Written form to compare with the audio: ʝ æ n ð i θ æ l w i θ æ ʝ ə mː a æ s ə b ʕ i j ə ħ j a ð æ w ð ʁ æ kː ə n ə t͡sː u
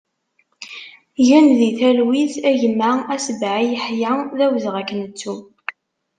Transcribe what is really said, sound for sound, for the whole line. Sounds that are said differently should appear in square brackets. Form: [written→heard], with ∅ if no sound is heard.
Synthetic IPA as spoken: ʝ æ n ð i θ æ l w i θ æ ʝ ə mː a æ s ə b ʕ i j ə ħ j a ð æ w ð ʁ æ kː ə n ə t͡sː u